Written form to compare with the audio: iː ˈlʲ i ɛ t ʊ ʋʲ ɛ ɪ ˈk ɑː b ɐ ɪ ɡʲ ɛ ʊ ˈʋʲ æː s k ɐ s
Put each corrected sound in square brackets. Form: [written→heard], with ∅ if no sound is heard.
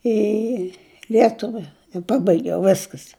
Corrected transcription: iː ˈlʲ i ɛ t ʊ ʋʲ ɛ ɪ [ˈk→ˈp] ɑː b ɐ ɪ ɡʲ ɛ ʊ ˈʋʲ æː s k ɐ s